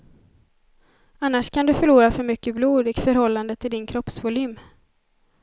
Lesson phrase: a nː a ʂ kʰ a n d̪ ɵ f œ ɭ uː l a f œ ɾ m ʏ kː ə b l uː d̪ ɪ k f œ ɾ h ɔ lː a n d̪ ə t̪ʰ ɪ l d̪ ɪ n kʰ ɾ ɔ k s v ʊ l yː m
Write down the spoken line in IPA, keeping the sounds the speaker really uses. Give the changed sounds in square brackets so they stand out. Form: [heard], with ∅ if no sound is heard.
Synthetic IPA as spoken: a nː a ʂ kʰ a n d̪ ɵ f œ ɭ uː [ɾ] a f œ ɾ m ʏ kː ə b l uː d̪ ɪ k f œ ɾ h ɔ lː a n d̪ ə t̪ʰ ɪ l d̪ ɪ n kʰ ɾ ɔ [p] s v ʊ l yː m